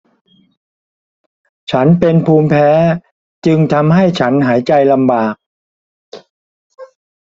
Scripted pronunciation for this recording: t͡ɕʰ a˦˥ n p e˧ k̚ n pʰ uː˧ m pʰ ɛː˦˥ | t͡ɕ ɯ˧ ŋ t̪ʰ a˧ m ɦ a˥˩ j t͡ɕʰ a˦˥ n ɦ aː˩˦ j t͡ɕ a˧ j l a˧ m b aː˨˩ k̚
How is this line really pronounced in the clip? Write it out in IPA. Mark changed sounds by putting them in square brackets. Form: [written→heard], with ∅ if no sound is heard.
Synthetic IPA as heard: t͡ɕʰ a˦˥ n p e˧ [k̚→∅] n pʰ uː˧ m pʰ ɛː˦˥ | t͡ɕ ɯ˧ ŋ t̪ʰ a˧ m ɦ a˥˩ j t͡ɕʰ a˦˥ n ɦ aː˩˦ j t͡ɕ a˧ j l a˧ m b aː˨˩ k̚